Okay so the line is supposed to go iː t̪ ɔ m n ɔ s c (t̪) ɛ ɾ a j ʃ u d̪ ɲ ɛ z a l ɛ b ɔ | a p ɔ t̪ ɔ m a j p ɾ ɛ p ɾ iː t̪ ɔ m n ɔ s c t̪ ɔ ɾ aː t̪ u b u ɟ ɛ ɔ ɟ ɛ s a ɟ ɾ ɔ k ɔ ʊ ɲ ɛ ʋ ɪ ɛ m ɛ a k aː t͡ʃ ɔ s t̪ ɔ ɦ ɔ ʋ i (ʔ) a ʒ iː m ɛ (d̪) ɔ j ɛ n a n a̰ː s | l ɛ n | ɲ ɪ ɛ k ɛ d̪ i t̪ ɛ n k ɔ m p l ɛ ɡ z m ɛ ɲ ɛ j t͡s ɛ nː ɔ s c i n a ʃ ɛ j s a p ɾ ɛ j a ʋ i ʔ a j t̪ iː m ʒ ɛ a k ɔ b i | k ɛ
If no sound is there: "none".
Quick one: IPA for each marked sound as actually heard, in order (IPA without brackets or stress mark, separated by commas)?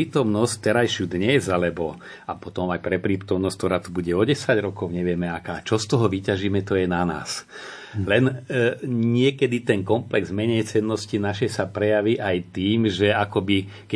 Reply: t̪, c, t̪